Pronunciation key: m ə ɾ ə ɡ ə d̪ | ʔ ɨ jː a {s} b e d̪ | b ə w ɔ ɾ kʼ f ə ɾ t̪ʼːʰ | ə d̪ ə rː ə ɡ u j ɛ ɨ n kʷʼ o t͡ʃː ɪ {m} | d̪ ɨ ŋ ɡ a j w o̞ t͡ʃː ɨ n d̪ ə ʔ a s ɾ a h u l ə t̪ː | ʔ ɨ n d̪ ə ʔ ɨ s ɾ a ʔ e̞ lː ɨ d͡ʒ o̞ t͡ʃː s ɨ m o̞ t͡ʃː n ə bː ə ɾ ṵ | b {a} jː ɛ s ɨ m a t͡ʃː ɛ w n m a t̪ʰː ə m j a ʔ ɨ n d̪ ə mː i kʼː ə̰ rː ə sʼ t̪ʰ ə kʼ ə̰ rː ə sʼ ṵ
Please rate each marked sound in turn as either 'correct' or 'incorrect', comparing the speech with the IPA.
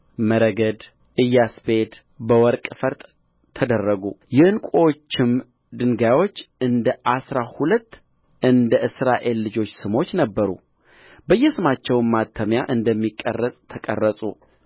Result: correct, correct, incorrect: ə

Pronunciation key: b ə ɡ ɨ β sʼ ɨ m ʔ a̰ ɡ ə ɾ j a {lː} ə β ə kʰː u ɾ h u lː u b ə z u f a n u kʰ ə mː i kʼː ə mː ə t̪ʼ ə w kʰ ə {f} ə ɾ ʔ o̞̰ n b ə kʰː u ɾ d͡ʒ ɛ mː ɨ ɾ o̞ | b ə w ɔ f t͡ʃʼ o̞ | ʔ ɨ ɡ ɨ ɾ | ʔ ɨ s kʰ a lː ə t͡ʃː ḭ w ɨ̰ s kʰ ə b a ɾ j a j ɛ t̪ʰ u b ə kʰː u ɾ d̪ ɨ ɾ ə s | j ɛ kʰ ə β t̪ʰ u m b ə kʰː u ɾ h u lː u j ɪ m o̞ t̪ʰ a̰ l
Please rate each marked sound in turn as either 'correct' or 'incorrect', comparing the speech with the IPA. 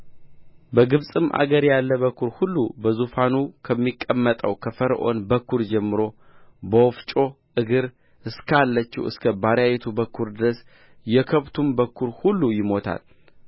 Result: correct, correct

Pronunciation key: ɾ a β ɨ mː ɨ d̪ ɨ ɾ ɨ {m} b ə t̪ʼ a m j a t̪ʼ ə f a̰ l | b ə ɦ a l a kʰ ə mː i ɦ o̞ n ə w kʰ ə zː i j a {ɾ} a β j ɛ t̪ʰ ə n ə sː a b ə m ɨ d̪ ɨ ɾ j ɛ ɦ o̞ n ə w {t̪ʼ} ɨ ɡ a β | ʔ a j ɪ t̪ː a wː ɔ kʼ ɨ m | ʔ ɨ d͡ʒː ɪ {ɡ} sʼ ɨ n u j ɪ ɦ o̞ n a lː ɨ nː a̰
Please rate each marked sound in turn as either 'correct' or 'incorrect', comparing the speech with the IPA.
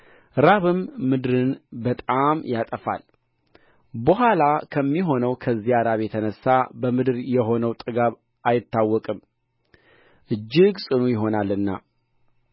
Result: incorrect: n, correct, correct, correct

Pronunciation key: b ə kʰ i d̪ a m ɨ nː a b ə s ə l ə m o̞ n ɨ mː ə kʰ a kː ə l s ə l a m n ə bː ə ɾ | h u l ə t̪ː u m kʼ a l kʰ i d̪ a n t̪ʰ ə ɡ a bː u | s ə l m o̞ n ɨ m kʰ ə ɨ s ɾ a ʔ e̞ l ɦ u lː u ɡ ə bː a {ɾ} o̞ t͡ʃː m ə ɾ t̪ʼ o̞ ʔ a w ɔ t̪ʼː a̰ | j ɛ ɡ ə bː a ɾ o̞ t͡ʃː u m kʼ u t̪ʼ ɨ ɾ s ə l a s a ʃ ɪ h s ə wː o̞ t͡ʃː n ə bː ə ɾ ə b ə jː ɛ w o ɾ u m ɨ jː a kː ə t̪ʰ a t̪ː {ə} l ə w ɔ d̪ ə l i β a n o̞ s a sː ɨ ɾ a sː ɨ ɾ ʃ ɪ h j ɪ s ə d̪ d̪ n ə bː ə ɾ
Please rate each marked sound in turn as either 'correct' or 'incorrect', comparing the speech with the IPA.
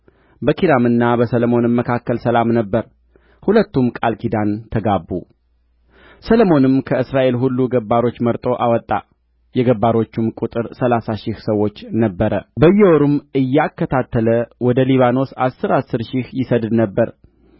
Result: correct, correct

